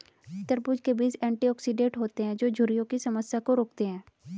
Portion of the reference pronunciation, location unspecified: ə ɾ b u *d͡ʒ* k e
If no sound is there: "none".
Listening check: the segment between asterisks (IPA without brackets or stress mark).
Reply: d͡ʒ